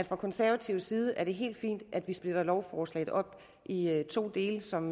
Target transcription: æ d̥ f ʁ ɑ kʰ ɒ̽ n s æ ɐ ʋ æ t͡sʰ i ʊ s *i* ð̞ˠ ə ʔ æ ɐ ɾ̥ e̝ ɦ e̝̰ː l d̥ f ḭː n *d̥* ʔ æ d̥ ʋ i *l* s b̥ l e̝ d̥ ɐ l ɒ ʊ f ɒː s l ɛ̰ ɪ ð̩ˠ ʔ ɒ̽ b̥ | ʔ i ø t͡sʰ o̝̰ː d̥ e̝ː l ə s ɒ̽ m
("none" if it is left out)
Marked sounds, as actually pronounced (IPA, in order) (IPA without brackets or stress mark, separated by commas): iː, d̥, none